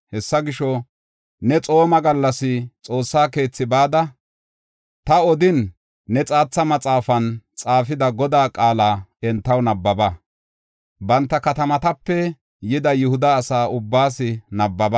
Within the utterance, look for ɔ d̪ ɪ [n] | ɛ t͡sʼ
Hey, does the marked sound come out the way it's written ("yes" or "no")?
no